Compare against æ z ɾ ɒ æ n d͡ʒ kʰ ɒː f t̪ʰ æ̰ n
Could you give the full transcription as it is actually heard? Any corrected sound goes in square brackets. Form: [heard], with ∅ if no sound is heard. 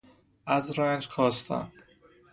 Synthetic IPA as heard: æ z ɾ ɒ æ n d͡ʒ kʰ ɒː [s] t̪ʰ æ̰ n